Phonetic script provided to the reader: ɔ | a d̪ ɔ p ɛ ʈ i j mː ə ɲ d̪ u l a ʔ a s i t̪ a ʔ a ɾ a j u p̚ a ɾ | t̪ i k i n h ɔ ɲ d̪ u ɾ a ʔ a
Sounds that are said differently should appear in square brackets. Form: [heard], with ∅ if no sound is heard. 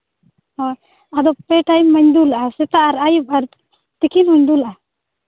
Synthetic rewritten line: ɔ | a d̪ ɔ p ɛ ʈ [a] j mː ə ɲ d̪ u l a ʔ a s [ɛ] t̪ a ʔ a ɾ a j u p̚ a ɾ | t̪ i k i n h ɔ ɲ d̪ u [l] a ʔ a